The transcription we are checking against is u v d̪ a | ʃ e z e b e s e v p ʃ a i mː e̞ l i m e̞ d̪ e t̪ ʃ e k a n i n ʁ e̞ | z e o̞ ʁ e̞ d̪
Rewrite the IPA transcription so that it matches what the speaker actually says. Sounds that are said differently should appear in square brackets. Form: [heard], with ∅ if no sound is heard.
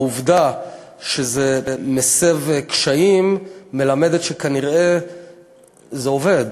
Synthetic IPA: u v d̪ a | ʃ e z e [m] e s e v [k] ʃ a i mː e̞ l [a] m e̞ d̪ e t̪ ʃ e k a n i [∅] ʁ e̞ | z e o̞ [v] e̞ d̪

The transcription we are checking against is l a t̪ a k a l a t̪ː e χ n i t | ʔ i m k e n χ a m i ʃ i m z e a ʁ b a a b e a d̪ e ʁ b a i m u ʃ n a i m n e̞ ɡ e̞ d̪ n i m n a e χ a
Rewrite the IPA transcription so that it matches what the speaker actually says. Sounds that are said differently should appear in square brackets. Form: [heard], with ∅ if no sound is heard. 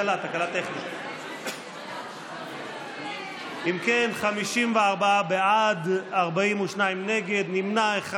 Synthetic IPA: l a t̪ a k a l a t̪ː e χ n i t | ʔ i m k e n χ a m i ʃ i m [v] e a ʁ b a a b e a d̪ [a] ʁ b a i m u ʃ n a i m n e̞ ɡ e̞ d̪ n i m n a e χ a

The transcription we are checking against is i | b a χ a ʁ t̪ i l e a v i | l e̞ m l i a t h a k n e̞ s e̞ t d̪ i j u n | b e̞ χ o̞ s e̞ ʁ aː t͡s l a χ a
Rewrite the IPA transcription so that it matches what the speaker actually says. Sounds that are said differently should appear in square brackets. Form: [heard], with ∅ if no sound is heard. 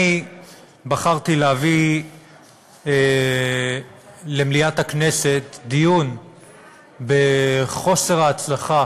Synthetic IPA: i | b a χ a ʁ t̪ i l e a v i | l e̞ m l i a t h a k n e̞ s e̞ t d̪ i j u n | b e̞ χ o̞ s e̞ ʁ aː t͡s l a χ a

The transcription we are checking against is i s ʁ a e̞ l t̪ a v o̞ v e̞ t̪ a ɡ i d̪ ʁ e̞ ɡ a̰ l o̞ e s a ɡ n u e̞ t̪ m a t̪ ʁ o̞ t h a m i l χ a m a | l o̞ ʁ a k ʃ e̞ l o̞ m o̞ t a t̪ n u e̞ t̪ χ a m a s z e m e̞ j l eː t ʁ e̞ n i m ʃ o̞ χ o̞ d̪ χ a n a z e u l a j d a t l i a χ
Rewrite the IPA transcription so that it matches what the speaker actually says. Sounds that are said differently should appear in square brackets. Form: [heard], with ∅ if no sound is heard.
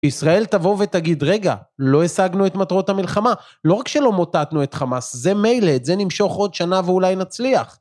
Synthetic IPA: i s ʁ a e̞ l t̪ a v o̞ v e̞ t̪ a ɡ i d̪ ʁ e̞ ɡ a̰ l o̞ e s a ɡ n u e̞ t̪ m a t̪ ʁ o̞ t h a m i l χ a m a | l o̞ ʁ a k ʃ e̞ l o̞ m o̞ t a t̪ n u e̞ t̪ χ a m a s z e m e̞ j l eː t [z] e̞ n i m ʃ o̞ χ o̞ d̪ [ʃ] a n a [v] e u l a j [n] a [t͡s] l i a χ

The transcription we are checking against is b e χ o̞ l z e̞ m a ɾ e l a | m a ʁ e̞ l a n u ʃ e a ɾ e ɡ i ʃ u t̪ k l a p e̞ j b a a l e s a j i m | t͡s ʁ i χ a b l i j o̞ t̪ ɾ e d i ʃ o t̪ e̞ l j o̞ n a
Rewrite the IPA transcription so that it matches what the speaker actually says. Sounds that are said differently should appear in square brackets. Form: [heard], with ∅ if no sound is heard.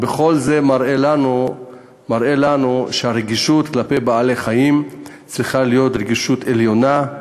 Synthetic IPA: b e χ o̞ l z e̞ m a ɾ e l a | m a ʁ e̞ l a n u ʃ e a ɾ e ɡ i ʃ u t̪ k l a p e̞ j b a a l e [χ] a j i m | t͡s ʁ i χ a [∅] l i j o̞ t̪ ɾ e [ɡ] i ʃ [u] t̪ e̞ l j o̞ n a

